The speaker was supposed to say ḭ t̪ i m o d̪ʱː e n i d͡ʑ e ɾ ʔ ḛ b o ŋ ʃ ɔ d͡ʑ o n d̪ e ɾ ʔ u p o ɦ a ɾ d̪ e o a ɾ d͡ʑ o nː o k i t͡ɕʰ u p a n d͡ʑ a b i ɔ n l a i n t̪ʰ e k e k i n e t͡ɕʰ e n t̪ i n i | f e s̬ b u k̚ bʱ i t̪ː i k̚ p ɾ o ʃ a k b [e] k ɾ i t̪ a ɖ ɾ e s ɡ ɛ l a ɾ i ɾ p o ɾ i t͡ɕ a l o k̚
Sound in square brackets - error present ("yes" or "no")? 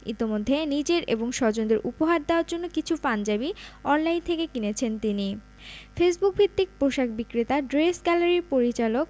yes